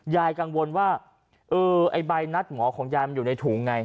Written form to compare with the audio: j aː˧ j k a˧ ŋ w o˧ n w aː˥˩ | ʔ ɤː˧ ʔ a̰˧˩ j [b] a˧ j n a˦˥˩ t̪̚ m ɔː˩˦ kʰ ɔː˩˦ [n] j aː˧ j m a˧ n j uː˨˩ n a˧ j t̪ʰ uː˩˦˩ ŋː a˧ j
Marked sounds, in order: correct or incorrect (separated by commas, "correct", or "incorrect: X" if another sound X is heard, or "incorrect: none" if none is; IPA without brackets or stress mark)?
correct, incorrect: ŋ